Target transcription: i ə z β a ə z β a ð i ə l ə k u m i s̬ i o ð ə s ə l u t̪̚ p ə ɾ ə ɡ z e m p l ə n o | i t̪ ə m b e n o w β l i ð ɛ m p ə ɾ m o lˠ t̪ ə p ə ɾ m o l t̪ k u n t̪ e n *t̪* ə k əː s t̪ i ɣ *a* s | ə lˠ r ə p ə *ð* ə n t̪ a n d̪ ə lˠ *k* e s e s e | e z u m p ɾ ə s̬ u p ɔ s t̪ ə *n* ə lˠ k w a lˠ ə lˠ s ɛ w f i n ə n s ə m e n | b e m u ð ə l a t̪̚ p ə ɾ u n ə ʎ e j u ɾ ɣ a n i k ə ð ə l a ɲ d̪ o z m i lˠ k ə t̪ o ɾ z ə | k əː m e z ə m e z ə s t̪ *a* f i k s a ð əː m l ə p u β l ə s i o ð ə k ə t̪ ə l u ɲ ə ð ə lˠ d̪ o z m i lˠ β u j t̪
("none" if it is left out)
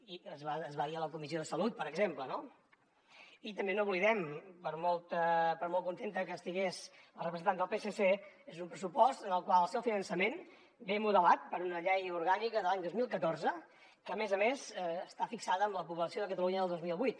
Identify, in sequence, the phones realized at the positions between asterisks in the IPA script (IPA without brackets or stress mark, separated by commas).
t̪, e, z, p, n, a